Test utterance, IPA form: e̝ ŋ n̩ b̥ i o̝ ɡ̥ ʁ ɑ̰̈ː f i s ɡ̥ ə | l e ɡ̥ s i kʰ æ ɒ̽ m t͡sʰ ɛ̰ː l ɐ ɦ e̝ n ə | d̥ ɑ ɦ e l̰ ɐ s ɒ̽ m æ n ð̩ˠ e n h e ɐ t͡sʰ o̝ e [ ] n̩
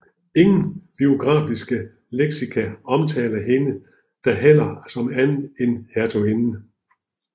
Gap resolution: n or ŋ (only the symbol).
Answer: n